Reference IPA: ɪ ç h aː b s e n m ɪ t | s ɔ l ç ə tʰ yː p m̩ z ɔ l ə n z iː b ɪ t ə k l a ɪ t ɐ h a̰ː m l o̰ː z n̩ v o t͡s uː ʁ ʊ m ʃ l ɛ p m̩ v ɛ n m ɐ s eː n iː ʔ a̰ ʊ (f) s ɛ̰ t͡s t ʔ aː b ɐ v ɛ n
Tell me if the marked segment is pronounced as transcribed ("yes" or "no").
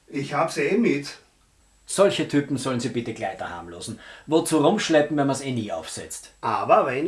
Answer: yes